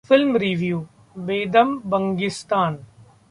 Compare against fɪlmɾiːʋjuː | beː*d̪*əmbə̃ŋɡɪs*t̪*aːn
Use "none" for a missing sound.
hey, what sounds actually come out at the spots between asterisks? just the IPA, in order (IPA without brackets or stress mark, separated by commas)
d̪, t̪